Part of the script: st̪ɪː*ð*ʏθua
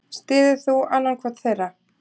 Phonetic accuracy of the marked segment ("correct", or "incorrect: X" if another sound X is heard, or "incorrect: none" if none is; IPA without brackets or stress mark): correct